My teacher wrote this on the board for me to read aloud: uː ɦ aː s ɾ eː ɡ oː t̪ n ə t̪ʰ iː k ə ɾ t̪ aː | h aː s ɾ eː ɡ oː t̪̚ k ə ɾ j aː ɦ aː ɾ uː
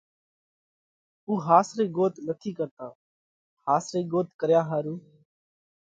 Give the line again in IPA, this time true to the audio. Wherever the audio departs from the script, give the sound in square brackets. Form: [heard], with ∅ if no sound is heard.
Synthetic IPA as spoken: uː ɦ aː s ɾ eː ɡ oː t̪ n ə t̪ʰ iː k ə ɾ t̪ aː | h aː s ɾ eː ɡ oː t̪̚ k ə ɾ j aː ɦ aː ɾ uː